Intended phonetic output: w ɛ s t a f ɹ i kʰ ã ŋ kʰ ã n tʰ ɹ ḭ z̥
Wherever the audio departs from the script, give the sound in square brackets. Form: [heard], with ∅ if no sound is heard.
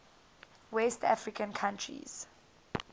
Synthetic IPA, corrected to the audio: w ɛ s t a f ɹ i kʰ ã [n] kʰ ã n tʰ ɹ ḭ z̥

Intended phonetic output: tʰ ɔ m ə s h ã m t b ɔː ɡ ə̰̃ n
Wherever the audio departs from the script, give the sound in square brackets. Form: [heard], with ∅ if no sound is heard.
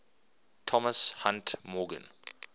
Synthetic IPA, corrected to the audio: tʰ ɔ m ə s h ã [n] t [m] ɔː ɡ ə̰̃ n

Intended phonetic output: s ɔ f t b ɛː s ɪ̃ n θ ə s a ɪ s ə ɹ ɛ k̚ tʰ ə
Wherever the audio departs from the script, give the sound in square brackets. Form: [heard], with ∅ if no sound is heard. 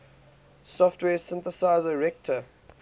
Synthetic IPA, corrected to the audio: s ɔ f t [w] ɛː s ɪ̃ n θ ə s a ɪ [z] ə ɹ ɛ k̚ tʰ ə

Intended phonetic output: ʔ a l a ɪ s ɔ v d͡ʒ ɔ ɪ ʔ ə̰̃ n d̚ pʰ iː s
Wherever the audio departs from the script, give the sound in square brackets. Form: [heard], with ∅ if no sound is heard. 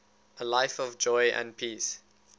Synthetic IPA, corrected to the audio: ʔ [ə] l a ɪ [f] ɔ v d͡ʒ ɔ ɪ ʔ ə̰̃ n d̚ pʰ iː s

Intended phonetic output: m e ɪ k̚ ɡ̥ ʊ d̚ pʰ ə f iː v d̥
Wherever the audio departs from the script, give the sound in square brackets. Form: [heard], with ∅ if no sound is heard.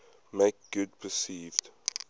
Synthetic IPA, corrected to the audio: m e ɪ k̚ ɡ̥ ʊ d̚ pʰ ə [s] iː v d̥

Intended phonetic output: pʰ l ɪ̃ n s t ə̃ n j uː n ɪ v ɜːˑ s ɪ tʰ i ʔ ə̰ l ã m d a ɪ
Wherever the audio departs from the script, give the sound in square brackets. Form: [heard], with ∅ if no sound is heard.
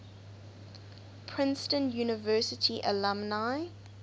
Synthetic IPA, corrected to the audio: pʰ [ɹ] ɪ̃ n s t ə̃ n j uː n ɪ v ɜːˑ s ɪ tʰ i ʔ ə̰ l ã m [n] a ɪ

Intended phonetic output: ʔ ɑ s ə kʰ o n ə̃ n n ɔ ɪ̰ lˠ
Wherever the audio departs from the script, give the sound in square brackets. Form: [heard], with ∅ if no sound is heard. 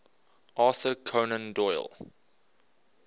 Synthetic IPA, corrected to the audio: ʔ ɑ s ə kʰ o n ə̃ n [d] ɔ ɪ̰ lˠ

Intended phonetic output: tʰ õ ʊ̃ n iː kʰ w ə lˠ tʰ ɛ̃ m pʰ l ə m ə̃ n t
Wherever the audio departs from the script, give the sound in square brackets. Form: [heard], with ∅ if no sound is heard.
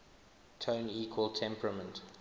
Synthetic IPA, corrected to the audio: tʰ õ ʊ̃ n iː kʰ w ə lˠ tʰ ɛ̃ m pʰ [ɹ] ə m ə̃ n t

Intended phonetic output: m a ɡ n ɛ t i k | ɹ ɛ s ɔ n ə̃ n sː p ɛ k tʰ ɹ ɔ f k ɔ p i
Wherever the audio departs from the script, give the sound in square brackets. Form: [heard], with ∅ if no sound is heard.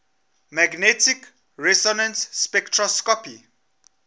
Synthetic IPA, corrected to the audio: m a ɡ n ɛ t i k | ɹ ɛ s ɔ n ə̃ n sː p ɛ k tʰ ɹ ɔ [s] k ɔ p i

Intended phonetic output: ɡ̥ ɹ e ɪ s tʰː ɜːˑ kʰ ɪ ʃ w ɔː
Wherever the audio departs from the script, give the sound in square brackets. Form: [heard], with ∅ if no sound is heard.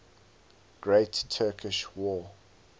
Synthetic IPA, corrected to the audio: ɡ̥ ɹ e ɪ [t] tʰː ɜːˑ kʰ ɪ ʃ w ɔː

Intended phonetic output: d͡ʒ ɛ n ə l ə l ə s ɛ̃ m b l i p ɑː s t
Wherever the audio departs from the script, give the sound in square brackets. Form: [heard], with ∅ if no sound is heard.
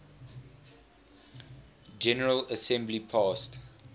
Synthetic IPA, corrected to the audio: d͡ʒ ɛ n ə [ɹ] ə l ə s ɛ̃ m b l i [pʰ] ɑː s t

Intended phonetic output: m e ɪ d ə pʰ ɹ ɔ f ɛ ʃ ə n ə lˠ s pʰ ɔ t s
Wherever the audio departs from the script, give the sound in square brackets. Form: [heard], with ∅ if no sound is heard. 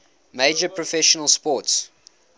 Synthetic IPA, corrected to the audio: m e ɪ [d͡ʒ] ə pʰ ɹ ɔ f ɛ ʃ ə n ə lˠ s [p] ɔ t s

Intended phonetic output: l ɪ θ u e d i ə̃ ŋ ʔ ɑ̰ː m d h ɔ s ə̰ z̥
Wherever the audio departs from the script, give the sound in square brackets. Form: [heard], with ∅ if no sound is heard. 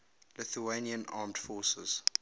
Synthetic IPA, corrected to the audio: l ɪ θ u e [n] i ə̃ [n] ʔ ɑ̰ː m d [f] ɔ s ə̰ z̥

